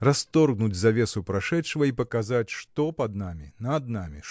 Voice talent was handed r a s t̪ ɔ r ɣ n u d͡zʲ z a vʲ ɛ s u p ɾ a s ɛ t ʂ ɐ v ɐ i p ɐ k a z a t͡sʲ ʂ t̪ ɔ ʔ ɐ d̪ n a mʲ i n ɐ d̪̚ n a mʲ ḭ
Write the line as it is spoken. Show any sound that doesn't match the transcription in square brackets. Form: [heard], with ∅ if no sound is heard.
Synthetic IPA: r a s t̪ ɔ r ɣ n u d͡zʲ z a vʲ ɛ s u p ɾ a [ʂ] ɛ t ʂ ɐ v ɐ i p ɐ k a z a t͡sʲ ʂ t̪ ɔ [p] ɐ d̪ n a mʲ i n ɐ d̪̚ n a mʲ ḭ